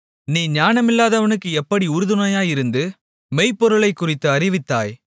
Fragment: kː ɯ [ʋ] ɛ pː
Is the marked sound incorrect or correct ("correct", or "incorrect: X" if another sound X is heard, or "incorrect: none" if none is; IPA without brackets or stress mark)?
incorrect: none